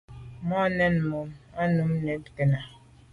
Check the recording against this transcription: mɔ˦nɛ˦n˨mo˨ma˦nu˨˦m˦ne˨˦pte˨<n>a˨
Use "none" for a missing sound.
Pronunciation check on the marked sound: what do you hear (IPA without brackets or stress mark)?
n